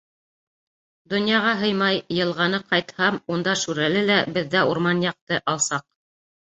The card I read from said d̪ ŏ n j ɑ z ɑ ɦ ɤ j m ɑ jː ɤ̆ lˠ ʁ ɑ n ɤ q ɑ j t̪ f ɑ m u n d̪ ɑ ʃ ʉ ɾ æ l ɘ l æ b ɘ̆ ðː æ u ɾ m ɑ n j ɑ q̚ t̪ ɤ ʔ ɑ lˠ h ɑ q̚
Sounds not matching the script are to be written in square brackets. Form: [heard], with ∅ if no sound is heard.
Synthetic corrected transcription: d̪ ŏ n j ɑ [ʁ] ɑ ɦ ɤ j m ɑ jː ɤ̆ lˠ ʁ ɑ n ɤ q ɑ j t̪ [h] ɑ m u n d̪ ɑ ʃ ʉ ɾ æ l ɘ l æ b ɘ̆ ðː æ u ɾ m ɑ n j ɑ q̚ t̪ ɤ ʔ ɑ lˠ [s] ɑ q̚